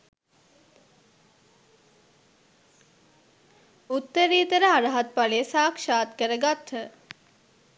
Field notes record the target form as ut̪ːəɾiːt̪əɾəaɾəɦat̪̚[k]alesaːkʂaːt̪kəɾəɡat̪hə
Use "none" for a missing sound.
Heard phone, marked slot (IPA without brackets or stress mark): p